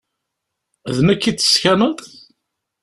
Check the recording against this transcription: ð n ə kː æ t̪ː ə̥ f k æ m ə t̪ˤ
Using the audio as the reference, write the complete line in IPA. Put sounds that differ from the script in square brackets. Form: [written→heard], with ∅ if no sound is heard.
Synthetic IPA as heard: ð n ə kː [æ→i] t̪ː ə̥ [f→s] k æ [m→n] ə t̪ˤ